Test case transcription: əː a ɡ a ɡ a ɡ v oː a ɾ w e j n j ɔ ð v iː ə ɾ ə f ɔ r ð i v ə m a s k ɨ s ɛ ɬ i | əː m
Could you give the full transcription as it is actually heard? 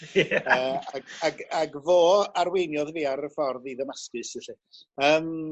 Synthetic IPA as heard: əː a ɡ a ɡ a ɡ v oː a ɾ w e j n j ɔ ð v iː a ɾ ə f ɔ r ð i ð ə m a s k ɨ s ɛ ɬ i | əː m